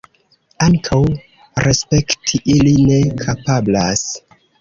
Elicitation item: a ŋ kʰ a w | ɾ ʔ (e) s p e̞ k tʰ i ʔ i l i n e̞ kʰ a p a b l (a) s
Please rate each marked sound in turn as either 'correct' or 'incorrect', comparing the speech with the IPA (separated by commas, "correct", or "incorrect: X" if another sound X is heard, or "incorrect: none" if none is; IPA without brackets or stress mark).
correct, correct